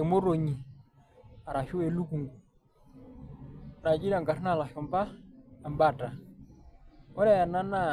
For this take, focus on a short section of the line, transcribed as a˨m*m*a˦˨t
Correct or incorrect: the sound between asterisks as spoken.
incorrect: b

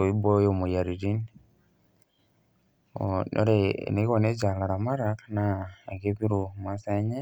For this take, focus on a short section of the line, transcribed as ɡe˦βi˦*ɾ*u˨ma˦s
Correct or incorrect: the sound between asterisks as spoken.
correct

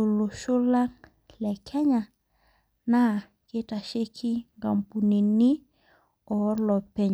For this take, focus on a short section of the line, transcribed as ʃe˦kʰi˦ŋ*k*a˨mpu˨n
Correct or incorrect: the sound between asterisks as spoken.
incorrect: ɡ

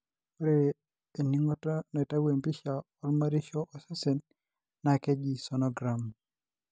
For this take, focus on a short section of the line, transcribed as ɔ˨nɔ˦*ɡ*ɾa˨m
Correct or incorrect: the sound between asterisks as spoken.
correct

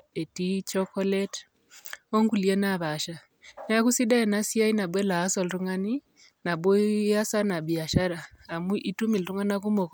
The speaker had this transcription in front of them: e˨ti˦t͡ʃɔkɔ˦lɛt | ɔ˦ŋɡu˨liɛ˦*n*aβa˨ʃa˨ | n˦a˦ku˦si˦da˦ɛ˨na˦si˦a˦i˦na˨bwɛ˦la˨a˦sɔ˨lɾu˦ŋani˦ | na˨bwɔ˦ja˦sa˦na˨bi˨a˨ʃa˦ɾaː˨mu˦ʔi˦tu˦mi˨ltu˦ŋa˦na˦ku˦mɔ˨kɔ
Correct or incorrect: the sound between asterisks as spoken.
correct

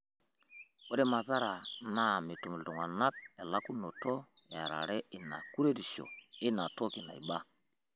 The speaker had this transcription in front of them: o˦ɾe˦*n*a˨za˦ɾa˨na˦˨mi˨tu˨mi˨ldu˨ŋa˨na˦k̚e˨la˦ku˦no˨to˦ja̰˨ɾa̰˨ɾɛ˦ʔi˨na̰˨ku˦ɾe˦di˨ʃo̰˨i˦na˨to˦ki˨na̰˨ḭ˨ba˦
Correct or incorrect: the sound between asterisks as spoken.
incorrect: m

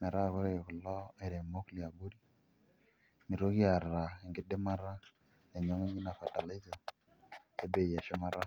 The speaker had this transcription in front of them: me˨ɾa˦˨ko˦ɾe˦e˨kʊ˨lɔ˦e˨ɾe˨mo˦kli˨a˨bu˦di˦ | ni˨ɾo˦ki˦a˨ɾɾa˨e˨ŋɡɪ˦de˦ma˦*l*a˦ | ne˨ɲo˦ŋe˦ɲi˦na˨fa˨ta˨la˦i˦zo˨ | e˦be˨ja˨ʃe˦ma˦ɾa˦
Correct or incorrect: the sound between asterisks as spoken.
incorrect: ɾ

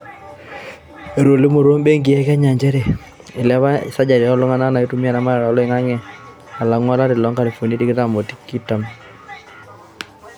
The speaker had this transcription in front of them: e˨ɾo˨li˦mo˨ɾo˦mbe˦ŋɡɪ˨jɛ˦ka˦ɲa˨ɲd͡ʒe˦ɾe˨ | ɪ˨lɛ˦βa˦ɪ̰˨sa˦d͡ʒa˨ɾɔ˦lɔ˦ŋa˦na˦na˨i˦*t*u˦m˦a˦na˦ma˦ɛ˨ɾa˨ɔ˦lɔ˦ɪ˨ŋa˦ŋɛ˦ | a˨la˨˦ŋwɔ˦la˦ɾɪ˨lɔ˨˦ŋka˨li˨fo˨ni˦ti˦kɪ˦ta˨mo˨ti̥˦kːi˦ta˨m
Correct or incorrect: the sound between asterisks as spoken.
correct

